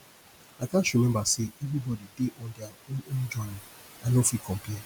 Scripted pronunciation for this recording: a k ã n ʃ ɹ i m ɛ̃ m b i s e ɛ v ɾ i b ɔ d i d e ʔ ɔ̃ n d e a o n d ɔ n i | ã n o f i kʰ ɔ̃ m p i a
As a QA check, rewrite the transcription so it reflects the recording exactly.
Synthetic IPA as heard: a k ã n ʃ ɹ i m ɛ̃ m b a s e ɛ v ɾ i b ɔ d i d e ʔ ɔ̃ n d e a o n d͡ʒ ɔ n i | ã n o f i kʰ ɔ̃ m p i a